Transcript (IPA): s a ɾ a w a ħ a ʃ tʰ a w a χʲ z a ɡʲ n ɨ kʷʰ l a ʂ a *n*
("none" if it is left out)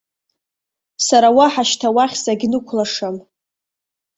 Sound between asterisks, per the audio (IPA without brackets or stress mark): m